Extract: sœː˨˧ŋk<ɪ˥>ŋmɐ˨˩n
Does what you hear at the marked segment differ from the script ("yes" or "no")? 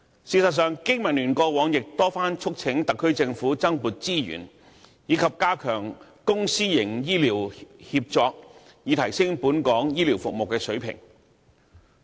no